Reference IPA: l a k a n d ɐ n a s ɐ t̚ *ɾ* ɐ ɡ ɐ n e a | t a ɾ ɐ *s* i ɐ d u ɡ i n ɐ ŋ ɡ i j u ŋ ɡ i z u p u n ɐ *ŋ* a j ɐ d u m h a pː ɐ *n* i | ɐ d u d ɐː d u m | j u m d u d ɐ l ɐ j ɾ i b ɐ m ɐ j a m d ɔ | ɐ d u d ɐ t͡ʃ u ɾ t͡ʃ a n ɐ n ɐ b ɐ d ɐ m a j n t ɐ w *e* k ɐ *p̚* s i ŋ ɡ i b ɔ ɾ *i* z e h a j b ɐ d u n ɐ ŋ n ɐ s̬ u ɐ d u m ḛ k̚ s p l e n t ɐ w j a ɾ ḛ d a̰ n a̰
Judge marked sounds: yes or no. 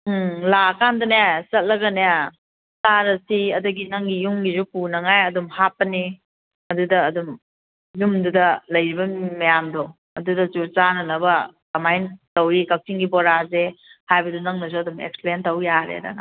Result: no, yes, yes, yes, no, no, no

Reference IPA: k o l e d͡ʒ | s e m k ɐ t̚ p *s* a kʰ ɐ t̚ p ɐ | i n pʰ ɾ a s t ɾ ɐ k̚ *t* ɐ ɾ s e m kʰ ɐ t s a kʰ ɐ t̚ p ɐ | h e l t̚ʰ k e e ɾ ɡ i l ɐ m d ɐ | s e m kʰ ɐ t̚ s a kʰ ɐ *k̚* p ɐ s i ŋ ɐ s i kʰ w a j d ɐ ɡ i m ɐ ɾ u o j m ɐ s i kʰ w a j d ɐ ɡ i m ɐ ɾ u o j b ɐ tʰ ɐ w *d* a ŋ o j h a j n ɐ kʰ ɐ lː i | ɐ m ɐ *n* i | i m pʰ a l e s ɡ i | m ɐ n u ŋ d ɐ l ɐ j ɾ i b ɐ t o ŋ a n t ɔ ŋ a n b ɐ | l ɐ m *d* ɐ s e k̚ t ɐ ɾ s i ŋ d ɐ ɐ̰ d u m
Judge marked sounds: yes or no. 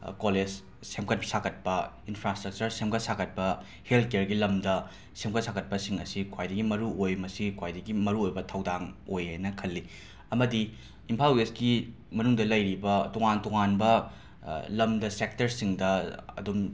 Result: yes, no, no, yes, no, yes

